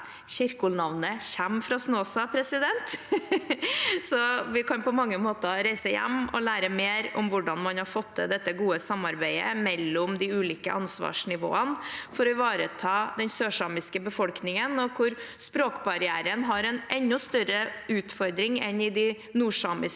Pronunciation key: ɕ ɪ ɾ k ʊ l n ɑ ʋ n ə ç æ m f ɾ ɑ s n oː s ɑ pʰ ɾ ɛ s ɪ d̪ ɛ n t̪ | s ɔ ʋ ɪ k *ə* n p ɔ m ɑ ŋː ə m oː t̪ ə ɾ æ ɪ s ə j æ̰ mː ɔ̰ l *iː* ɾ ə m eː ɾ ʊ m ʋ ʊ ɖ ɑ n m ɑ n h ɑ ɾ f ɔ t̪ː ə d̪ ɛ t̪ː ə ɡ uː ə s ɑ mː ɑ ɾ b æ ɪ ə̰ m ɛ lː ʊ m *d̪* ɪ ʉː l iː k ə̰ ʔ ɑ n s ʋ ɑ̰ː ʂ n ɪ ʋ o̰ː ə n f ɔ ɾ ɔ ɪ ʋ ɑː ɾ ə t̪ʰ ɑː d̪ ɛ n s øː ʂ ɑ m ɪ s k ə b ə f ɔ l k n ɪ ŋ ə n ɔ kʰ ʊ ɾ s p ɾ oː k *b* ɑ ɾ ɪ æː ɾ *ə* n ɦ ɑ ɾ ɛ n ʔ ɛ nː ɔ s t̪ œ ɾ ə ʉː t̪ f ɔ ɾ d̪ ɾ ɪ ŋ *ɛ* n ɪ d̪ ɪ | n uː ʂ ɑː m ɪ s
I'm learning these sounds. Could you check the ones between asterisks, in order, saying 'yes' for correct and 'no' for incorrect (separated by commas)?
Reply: no, no, yes, yes, yes, yes